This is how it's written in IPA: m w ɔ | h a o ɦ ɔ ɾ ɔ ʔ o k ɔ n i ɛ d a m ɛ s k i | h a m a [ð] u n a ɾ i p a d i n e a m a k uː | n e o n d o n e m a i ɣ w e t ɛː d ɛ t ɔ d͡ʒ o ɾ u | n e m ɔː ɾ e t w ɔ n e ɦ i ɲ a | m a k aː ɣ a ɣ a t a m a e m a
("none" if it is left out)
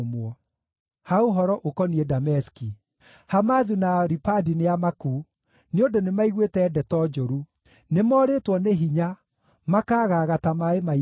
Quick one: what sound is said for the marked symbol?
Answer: ð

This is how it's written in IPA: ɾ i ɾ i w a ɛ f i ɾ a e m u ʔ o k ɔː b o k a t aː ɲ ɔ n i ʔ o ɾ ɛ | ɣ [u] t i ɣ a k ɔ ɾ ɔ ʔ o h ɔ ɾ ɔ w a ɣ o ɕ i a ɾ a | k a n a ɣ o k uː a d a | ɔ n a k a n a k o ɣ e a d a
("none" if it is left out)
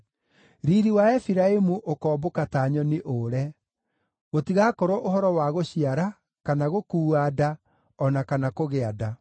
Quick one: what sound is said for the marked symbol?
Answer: o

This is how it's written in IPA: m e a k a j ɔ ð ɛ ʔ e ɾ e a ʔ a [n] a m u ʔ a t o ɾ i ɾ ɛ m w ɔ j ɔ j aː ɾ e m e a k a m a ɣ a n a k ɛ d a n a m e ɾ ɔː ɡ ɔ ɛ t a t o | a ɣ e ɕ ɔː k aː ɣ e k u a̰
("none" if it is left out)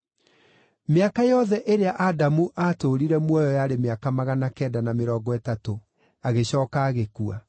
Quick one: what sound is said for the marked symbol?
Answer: d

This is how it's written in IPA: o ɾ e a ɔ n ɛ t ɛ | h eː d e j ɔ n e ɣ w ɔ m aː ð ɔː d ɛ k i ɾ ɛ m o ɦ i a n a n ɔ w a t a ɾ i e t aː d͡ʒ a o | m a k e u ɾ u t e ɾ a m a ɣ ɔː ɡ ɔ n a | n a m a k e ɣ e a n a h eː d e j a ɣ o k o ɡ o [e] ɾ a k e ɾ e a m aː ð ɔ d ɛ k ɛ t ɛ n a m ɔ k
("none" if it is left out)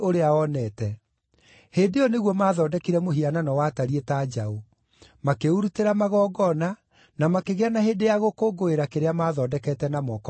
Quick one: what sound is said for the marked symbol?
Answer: e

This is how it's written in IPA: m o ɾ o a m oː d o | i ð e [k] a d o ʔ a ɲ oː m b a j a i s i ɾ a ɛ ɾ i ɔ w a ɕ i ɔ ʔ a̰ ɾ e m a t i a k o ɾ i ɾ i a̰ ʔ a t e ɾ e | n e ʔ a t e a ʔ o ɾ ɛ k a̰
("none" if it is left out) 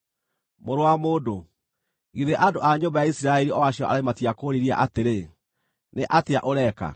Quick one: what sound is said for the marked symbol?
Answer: ʔ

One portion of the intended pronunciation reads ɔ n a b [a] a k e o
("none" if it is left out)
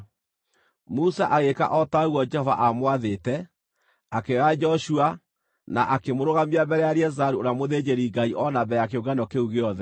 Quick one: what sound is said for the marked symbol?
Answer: ɛ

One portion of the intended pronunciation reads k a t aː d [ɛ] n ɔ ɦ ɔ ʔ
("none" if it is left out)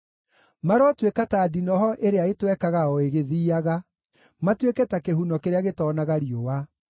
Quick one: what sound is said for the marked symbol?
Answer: i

